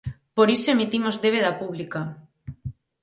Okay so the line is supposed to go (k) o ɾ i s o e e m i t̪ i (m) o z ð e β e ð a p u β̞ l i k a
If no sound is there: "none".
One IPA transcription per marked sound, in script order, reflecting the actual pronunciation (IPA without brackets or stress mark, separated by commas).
p, m